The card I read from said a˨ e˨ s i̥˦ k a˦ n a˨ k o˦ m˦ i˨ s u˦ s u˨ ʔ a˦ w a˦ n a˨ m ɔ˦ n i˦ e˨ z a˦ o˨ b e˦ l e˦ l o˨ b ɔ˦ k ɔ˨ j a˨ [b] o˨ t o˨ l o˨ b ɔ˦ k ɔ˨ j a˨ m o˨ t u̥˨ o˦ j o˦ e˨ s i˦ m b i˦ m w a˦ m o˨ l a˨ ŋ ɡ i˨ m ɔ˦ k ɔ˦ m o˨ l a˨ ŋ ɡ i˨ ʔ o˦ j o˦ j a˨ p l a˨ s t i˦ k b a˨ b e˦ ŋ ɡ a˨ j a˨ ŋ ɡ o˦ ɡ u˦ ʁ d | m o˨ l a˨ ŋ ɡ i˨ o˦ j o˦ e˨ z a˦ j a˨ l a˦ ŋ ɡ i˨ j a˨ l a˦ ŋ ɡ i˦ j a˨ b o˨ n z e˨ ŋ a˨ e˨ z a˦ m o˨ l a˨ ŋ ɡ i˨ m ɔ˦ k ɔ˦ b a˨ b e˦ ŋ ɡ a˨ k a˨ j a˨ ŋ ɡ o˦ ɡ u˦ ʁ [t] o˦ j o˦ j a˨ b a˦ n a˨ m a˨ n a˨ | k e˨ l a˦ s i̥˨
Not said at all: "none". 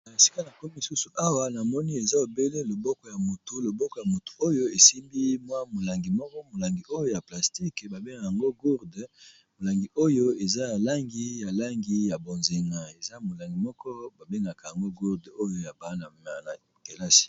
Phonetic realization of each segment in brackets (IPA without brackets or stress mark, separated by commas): m, d